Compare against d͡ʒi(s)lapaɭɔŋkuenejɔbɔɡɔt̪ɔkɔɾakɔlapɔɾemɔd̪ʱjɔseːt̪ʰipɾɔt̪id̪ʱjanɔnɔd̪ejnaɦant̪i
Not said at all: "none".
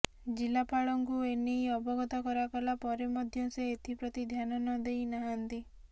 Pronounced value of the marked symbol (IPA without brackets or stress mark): none